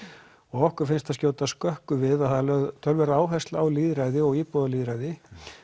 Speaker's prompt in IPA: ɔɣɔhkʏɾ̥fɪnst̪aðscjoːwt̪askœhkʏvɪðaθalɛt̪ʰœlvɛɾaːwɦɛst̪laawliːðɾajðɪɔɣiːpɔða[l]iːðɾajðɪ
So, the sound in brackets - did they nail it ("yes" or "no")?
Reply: yes